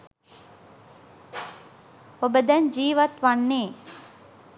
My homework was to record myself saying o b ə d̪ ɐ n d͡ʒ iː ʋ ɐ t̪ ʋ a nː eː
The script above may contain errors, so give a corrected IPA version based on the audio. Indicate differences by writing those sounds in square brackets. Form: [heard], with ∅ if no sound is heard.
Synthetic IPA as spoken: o b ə d̪ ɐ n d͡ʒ iː ʋ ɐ t̪ ʋ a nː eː